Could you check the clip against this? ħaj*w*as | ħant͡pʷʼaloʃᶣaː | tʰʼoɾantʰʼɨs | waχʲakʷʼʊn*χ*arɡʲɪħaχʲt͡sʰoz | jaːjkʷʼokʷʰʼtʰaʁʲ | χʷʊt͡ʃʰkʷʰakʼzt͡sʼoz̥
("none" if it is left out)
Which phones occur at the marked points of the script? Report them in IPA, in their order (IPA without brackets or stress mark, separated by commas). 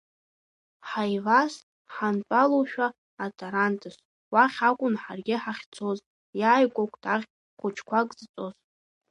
v, ħ